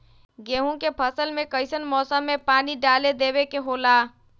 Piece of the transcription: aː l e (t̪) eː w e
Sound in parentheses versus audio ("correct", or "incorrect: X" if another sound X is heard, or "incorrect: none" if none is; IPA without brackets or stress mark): incorrect: d̪